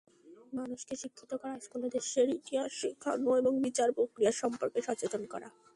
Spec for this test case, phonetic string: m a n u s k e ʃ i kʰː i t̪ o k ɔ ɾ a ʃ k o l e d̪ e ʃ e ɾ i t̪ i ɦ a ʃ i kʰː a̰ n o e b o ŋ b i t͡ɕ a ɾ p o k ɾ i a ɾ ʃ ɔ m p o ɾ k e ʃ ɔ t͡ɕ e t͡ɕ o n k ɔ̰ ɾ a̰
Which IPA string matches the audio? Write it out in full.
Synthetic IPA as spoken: m a n u ʃ k e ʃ i kʰː i t̪ o k ɔ ɾ a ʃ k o l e d̪ e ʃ e ɾ i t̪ i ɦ a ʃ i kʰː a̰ n o e b o ŋ b i t͡ɕ a ɾ p o k ɾ i a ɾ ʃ ɔ m p o ɾ k e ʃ ɔ t͡ɕ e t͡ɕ o n k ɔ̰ ɾ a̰